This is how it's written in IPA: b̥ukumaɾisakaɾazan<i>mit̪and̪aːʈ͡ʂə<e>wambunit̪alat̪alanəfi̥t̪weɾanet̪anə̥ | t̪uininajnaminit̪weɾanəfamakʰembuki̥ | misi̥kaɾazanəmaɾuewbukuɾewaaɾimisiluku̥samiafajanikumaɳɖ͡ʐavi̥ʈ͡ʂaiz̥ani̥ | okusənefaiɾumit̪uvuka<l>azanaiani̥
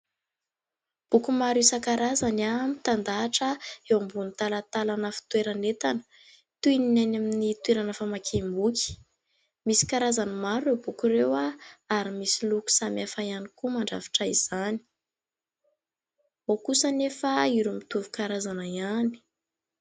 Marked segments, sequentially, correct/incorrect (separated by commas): incorrect, correct, incorrect